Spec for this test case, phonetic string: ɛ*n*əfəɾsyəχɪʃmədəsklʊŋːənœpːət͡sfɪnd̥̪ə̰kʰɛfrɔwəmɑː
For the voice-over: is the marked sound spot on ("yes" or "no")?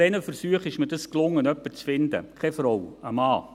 yes